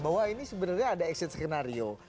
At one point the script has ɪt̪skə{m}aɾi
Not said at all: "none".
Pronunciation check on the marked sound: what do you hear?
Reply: n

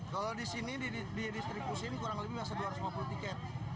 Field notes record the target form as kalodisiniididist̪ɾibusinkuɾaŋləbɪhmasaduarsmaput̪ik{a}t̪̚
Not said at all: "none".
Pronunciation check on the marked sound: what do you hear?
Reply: ɛ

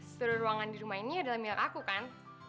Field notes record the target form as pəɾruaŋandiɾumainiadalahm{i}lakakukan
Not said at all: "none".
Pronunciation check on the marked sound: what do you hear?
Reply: i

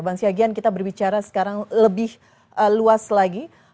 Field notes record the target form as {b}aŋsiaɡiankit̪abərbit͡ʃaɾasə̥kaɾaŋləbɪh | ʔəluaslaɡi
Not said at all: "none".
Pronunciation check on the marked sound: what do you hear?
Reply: b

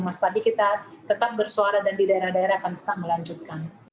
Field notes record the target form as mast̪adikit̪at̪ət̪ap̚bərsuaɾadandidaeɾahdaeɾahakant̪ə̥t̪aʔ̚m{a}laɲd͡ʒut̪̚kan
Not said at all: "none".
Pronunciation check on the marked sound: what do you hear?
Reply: ə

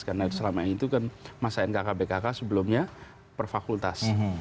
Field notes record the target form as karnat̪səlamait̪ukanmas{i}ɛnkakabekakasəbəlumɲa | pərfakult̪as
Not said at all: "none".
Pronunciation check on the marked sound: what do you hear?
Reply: a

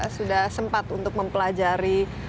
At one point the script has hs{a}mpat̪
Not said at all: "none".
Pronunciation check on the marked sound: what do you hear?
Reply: ə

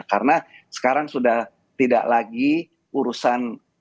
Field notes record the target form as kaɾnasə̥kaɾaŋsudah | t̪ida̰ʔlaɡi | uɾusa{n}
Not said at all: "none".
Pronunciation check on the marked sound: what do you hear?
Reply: n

